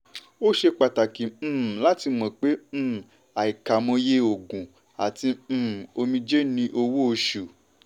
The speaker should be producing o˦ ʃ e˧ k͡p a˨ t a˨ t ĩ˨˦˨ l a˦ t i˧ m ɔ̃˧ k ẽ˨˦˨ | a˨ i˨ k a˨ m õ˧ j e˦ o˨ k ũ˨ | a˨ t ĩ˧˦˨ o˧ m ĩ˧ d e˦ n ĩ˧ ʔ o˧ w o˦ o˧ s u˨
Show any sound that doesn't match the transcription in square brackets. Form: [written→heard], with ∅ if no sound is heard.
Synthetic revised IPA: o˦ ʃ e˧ k͡p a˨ t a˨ [t→k] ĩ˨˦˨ l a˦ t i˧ m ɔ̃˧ [k→k͡p] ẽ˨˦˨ | a˨ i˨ k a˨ m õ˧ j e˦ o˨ [k→ɡ] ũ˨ | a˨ t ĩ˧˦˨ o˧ m ĩ˧ [d→d͡ʒ] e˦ n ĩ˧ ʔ o˧ w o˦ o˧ [s→ʃ] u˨